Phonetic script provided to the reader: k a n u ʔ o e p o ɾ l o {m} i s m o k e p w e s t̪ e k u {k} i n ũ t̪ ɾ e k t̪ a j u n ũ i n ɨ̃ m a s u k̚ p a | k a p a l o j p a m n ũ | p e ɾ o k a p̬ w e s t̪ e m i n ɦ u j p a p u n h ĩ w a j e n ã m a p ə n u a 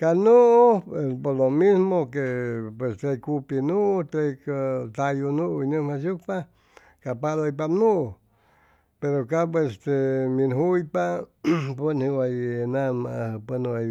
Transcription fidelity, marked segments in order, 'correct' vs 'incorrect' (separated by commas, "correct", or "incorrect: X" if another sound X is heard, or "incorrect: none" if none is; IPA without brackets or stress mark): correct, incorrect: p